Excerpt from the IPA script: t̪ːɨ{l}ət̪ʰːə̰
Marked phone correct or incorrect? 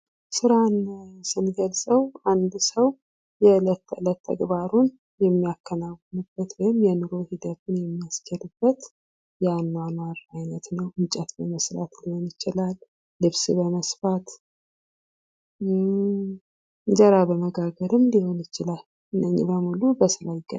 correct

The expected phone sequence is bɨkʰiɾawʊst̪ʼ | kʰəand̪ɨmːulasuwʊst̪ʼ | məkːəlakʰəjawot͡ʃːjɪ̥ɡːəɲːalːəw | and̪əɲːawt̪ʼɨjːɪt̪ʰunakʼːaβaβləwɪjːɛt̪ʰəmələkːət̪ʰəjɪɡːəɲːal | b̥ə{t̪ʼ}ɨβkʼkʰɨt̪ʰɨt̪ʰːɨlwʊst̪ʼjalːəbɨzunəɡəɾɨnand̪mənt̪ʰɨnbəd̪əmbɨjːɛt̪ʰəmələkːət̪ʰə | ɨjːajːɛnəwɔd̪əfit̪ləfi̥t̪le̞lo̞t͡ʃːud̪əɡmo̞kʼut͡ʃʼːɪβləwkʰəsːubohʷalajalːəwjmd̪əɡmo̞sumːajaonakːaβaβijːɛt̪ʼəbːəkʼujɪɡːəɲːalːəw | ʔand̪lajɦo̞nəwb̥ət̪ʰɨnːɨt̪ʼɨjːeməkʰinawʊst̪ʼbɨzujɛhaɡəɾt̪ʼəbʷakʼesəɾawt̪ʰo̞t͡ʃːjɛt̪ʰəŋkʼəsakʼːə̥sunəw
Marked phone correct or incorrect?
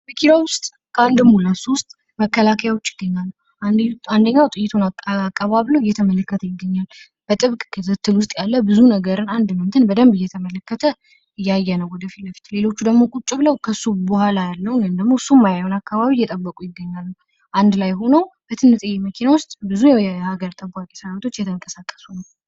correct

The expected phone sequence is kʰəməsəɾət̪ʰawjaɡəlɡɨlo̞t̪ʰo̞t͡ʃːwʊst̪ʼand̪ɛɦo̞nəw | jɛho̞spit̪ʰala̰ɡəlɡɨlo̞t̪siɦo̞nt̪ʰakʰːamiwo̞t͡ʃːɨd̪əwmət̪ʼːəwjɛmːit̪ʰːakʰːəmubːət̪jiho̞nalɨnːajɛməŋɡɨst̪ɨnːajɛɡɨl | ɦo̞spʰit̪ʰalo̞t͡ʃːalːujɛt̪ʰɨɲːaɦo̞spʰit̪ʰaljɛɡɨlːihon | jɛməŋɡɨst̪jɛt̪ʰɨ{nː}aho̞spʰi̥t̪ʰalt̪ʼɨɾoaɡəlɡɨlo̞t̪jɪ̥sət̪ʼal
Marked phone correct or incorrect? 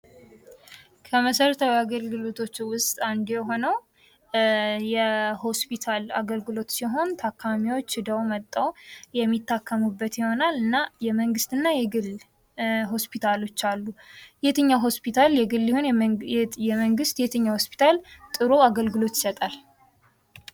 incorrect: ɲː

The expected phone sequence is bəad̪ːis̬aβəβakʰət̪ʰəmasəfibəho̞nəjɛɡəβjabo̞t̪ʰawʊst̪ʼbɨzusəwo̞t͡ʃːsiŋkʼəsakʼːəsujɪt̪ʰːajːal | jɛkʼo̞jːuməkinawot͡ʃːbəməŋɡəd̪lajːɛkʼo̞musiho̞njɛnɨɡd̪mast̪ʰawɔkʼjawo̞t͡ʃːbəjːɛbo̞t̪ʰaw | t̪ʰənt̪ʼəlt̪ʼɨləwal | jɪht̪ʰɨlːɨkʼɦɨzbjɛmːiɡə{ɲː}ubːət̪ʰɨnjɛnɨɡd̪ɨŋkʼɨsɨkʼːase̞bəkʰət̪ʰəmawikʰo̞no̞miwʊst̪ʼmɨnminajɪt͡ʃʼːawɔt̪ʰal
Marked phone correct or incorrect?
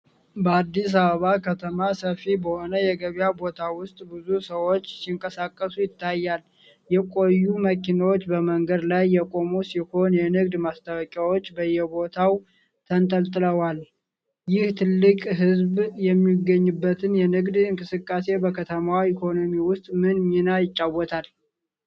correct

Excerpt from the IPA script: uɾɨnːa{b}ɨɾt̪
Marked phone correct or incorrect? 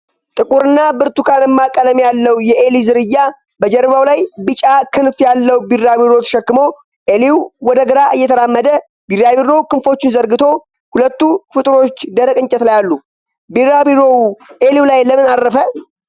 correct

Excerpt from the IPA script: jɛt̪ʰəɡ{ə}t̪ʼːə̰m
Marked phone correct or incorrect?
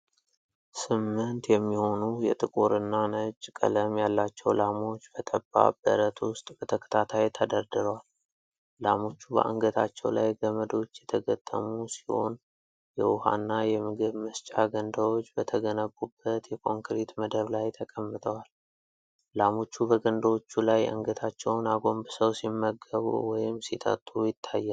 correct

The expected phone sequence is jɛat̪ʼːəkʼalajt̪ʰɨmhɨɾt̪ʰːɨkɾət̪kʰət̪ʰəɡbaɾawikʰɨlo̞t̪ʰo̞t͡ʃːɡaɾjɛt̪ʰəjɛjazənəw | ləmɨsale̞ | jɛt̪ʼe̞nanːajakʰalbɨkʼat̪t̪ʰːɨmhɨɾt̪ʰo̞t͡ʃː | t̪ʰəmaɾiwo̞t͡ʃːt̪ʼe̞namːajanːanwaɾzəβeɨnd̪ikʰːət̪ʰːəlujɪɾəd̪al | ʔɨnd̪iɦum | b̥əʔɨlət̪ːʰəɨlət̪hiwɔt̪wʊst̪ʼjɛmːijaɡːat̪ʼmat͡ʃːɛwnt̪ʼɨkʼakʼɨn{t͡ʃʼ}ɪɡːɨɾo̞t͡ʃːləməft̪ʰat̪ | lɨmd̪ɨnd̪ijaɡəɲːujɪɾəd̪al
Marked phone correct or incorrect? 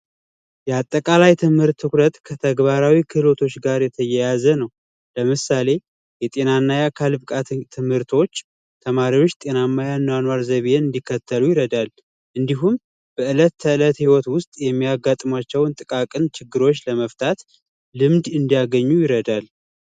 incorrect: t͡ʃ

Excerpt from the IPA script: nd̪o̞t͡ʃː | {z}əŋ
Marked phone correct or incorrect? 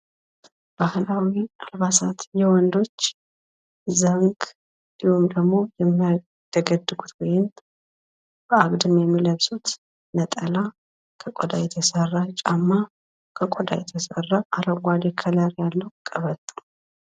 correct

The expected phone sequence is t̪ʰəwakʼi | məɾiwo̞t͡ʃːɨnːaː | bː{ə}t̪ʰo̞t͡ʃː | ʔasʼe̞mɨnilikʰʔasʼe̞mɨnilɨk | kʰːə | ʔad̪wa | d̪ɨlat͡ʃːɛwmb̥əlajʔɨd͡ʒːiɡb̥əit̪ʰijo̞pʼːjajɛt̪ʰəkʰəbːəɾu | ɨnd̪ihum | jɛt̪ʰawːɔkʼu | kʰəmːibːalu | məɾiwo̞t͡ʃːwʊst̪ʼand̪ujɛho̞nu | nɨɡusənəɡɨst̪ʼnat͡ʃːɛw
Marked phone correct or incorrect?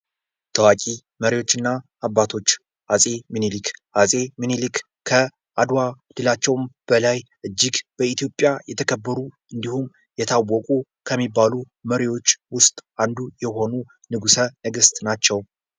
incorrect: a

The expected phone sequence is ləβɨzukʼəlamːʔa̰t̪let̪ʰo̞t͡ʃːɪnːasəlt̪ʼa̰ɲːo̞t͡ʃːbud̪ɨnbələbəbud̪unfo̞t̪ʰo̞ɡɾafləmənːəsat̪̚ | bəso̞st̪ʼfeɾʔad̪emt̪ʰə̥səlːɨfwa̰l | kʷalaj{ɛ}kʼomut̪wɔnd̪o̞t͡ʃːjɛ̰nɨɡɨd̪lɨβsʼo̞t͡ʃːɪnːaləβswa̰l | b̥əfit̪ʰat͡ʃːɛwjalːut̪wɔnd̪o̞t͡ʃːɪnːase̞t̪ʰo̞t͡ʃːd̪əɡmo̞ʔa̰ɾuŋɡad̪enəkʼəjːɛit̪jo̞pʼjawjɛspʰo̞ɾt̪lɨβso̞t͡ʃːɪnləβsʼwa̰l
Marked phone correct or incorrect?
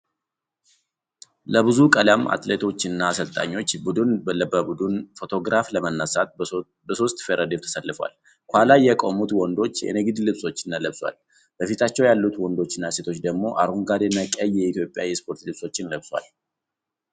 correct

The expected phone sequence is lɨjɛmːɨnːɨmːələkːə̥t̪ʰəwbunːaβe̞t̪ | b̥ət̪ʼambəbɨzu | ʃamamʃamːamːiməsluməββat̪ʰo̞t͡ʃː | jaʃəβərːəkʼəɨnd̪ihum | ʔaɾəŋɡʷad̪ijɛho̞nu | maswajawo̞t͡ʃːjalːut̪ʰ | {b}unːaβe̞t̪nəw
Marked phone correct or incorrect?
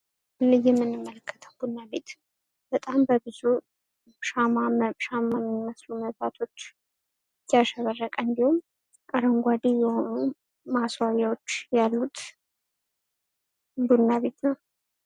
correct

